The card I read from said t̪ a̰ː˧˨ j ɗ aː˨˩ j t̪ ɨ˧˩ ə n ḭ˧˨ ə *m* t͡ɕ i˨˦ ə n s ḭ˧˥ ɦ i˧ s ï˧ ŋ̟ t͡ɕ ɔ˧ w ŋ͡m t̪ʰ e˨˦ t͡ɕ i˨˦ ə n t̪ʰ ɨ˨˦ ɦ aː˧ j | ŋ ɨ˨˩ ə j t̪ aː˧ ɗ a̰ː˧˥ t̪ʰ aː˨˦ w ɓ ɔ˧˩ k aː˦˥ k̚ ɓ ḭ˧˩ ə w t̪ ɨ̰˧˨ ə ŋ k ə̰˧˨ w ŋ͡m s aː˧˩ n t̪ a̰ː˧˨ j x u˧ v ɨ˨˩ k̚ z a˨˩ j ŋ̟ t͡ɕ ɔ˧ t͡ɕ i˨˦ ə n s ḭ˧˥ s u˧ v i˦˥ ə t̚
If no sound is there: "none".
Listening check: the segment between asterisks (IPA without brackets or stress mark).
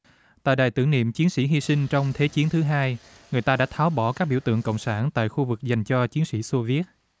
m